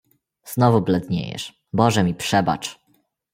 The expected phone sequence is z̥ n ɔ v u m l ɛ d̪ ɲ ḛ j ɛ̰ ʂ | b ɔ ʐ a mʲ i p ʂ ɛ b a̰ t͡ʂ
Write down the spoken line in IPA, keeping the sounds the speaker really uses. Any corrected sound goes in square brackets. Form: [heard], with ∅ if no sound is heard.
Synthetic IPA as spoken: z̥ n ɔ v u [b] l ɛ d̪ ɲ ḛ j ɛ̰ ʂ | b ɔ ʐ [ɛ] mʲ i p ʂ ɛ b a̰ t͡ʂ

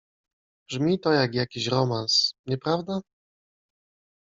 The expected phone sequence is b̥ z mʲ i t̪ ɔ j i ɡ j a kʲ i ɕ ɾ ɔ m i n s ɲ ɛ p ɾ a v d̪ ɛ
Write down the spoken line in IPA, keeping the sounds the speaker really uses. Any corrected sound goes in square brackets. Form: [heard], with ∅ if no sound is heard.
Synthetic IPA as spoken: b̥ [ʐ] mʲ i t̪ ɔ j [a] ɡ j a kʲ i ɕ ɾ ɔ m [a] n s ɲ ɛ p ɾ a v d̪ [a]

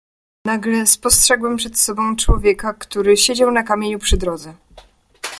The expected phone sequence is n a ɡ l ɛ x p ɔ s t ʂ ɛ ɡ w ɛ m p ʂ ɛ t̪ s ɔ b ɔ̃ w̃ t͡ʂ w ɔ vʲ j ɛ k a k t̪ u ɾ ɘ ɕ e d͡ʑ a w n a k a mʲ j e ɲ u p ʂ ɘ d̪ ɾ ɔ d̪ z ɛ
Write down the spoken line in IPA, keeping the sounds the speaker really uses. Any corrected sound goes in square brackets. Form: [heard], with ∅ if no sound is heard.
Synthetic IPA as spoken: n a ɡ l ɛ [s] p ɔ s t ʂ ɛ ɡ w ɛ m p ʂ ɛ t̪ s ɔ b ɔ̃ w̃ t͡ʂ w ɔ vʲ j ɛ k a k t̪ u ɾ ɘ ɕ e d͡ʑ a w n a k a mʲ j e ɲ u p ʂ ɘ d̪ ɾ ɔ d̪ z ɛ

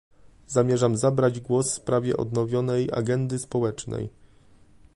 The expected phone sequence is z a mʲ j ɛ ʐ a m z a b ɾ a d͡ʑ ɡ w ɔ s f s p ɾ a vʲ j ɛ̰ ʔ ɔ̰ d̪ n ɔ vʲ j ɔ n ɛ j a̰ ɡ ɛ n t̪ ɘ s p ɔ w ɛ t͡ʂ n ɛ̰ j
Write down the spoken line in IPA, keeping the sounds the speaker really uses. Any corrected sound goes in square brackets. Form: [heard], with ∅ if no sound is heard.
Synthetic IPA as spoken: z a mʲ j ɛ ʐ a m z a b ɾ a d͡ʑ ɡ w ɔ s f s p ɾ a vʲ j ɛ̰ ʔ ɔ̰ d̪ n ɔ vʲ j ɔ n ɛ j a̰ ɡ ɛ n [d̪] ɘ s p ɔ w ɛ t͡ʂ n ɛ̰ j

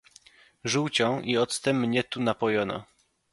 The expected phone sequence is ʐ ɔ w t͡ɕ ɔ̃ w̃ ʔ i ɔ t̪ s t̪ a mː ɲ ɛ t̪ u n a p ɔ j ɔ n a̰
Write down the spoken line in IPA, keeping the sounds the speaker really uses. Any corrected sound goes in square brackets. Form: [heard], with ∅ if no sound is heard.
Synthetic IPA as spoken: ʐ [u] w t͡ɕ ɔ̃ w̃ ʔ i ɔ t̪ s t̪ [ɛ] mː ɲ ɛ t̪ u n a p ɔ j ɔ n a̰

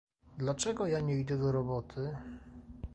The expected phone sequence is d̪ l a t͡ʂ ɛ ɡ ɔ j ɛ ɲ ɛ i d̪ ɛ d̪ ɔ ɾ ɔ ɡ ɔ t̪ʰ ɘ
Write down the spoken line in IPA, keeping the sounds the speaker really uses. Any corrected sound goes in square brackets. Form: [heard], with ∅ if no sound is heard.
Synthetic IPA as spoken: d̪ l a t͡ʂ ɛ ɡ ɔ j [a] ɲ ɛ i d̪ ɛ d̪ ɔ ɾ ɔ [b] ɔ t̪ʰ ɘ

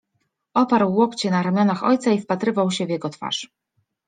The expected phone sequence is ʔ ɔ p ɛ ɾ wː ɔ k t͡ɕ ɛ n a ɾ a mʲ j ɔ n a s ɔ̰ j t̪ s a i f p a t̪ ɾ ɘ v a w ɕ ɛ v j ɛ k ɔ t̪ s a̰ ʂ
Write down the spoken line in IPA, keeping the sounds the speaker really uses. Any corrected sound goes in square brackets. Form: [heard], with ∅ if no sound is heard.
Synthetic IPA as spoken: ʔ ɔ p [a] ɾ wː ɔ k t͡ɕ ɛ n a ɾ a mʲ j ɔ n a [x] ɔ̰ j t̪ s a i f p a t̪ ɾ ɘ v a w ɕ ɛ v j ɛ [ɡ] ɔ t̪ [f] a̰ ʂ

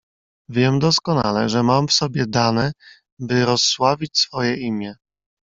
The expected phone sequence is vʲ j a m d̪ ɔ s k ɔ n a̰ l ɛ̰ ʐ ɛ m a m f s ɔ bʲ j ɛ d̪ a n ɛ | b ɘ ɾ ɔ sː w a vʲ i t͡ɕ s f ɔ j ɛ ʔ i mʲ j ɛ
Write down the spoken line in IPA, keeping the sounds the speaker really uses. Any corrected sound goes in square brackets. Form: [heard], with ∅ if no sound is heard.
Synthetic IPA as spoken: vʲ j [ɛ] m d̪ ɔ s k ɔ n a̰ l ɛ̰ ʐ ɛ m a m f s ɔ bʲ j ɛ d̪ a n ɛ | b ɘ ɾ ɔ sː w a vʲ i t͡ɕ s f ɔ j ɛ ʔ i mʲ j ɛ

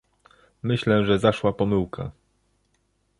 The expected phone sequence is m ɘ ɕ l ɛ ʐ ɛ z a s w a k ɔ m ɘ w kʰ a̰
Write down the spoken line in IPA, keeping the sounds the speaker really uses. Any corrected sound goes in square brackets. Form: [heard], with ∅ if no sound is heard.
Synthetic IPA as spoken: m ɘ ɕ l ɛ ʐ ɛ z a [ʂ] w a [p] ɔ m ɘ w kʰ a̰

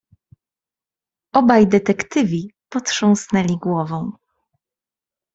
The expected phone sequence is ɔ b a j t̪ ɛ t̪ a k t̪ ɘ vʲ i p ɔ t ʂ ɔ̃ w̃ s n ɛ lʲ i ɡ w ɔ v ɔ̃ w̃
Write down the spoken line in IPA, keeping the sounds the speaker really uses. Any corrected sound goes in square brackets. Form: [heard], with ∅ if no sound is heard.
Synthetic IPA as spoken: ɔ b a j [d̪] ɛ t̪ [ɛ] k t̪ ɘ vʲ i p ɔ t ʂ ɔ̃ w̃ s n ɛ lʲ i ɡ w ɔ v ɔ̃ w̃

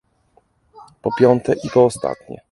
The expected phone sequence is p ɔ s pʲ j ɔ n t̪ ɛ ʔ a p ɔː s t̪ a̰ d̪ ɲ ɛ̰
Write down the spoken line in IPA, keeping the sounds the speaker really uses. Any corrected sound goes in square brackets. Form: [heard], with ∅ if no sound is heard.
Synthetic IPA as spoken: p ɔ [∅] pʲ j ɔ n t̪ ɛ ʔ [i] p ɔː s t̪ a̰ [t̪] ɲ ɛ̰

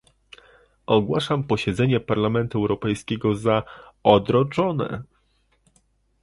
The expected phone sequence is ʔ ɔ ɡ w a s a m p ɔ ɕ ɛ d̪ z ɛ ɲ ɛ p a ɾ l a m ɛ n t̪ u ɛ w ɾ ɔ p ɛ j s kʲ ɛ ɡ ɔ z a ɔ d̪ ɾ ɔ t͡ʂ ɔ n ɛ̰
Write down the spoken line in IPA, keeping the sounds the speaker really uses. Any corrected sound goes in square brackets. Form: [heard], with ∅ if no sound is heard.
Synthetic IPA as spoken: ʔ ɔ ɡ w a [ʂ] a m p ɔ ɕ ɛ d̪ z ɛ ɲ ɛ p a ɾ l a m ɛ n t̪ u ɛ w ɾ ɔ p ɛ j s kʲ ɛ ɡ ɔ z a ɔ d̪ ɾ ɔ t͡ʂ ɔ n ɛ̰

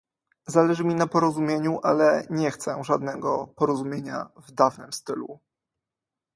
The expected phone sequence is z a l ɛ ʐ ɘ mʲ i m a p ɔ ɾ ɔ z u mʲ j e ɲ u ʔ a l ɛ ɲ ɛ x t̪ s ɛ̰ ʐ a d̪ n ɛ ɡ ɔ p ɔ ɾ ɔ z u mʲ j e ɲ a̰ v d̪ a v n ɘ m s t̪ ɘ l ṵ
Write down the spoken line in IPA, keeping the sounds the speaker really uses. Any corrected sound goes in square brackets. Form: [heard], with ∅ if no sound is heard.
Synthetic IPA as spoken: z a l ɛ ʐ ɘ mʲ i [n] a p ɔ ɾ ɔ z u mʲ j e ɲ u ʔ a l ɛ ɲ ɛ x t̪ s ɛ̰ ʐ a d̪ n ɛ ɡ ɔ p ɔ ɾ ɔ z u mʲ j e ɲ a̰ v d̪ a v n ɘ m s t̪ ɘ l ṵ

